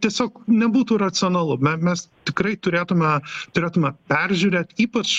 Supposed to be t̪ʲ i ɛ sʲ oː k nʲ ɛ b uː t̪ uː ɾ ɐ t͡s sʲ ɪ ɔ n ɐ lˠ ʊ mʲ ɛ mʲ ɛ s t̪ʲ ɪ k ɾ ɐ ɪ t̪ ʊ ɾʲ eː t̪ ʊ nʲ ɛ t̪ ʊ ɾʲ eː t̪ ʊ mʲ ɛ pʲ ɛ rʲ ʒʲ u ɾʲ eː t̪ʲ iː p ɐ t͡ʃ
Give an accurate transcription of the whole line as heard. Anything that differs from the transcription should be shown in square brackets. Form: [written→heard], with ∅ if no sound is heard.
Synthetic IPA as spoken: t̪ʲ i ɛ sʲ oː k nʲ ɛ b uː t̪ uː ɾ ɐ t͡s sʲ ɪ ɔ n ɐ lˠ ʊ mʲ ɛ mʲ ɛ s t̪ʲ ɪ k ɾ ɐ ɪ t̪ ʊ ɾʲ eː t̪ ʊ [nʲ→mʲ] ɛ t̪ ʊ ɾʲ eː t̪ ʊ mʲ ɛ pʲ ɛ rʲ ʒʲ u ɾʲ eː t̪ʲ iː p ɐ t͡ʃ